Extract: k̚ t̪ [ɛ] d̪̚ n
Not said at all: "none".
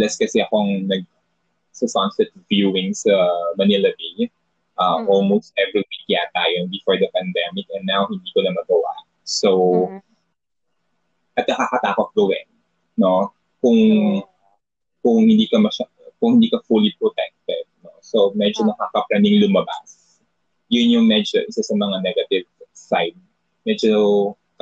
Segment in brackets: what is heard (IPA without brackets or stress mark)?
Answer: ɛ